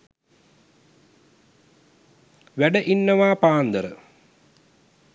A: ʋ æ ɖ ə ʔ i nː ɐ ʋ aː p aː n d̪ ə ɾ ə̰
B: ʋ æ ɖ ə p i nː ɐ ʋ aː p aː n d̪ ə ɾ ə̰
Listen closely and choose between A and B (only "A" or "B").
A